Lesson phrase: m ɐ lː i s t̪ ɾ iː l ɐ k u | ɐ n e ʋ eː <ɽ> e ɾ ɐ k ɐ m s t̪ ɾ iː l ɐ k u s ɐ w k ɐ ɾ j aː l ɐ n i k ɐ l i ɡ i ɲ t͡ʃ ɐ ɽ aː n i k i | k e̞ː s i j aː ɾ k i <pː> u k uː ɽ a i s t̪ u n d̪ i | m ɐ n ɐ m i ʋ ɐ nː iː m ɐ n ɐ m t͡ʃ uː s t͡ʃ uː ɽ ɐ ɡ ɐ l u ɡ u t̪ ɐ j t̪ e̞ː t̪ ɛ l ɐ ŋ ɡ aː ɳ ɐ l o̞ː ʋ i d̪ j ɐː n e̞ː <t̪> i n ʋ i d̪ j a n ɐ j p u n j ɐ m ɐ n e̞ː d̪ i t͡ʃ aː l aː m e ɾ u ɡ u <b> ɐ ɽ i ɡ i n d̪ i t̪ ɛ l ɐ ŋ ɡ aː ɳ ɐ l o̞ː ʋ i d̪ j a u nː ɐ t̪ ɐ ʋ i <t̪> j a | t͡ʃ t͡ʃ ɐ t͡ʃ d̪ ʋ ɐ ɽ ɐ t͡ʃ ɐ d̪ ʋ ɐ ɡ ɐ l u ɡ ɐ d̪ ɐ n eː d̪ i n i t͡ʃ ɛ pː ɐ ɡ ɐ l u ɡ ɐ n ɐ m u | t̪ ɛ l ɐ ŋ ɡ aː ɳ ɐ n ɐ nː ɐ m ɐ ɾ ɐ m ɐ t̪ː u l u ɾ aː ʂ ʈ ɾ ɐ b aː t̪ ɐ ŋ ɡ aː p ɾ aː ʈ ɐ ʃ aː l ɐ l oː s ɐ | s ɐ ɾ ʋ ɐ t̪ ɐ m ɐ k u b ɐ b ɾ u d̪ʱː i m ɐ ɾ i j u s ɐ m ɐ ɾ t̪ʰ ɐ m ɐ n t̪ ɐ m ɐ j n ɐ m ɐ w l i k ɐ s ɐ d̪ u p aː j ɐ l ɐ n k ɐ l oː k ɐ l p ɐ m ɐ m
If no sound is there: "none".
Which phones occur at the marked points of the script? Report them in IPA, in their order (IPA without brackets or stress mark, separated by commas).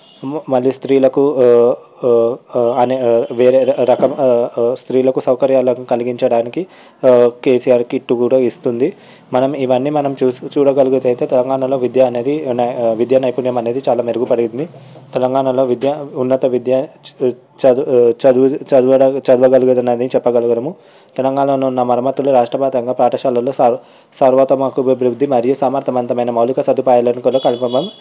ɾ, ʈː, d̪, p, d̪